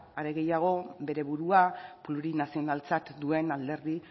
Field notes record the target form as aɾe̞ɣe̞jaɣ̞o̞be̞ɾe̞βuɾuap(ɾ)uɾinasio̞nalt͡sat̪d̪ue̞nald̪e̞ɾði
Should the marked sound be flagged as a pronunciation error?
yes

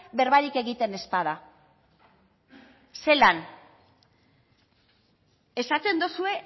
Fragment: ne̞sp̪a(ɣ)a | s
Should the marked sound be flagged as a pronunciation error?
yes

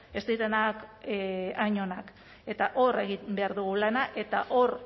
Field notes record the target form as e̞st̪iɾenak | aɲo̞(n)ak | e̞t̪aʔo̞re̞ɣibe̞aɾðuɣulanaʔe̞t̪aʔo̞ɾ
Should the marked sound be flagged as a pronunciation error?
no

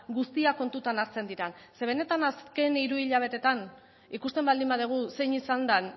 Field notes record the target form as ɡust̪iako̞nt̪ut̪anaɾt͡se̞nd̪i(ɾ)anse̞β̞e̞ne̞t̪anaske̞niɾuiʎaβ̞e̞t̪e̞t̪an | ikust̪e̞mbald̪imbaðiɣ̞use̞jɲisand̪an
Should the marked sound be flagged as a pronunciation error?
no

